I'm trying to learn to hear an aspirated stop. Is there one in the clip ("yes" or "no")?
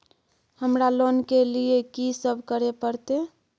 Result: no